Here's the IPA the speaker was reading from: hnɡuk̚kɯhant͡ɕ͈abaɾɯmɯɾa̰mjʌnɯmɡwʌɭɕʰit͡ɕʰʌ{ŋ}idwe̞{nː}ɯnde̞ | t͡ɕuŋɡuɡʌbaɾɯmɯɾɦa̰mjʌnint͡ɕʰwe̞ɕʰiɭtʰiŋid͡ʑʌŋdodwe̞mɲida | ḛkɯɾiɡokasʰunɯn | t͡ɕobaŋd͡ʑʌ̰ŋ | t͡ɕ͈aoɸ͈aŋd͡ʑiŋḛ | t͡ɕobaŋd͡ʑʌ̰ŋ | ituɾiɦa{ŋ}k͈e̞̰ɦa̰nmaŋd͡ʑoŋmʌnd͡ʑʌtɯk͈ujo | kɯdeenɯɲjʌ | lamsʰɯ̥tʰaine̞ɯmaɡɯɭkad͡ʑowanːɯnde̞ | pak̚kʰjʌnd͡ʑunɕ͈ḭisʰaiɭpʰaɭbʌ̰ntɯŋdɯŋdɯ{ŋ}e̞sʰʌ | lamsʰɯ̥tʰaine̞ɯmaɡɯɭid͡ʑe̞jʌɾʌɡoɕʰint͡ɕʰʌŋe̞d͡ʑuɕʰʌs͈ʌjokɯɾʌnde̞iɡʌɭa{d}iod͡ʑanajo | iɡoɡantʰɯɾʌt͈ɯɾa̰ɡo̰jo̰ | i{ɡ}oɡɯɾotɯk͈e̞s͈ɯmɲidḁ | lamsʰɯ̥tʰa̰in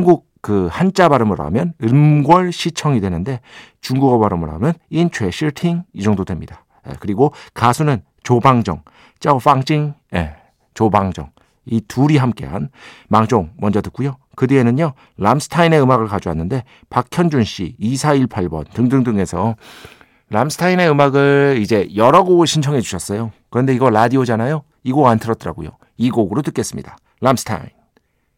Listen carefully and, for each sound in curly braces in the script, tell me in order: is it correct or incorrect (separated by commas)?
correct, incorrect, incorrect, correct, correct, correct